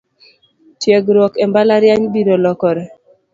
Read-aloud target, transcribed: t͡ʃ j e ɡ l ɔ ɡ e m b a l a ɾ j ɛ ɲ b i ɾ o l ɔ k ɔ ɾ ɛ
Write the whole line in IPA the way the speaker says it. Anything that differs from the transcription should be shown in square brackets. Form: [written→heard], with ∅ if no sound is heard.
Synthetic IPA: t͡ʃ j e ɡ [l→ɾ] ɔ [ɡ→k] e m b a l a ɾ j [ɛ→a] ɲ b i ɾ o l ɔ k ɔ ɾ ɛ